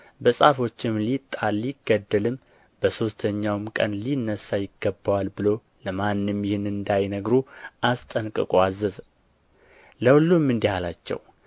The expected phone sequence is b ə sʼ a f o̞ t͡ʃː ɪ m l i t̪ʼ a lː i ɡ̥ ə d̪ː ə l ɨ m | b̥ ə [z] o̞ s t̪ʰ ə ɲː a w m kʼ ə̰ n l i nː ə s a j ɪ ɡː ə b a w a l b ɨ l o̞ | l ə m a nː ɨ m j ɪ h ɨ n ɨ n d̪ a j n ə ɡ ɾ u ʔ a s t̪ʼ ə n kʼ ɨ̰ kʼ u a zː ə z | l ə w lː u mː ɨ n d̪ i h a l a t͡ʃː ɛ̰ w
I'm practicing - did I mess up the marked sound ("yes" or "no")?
yes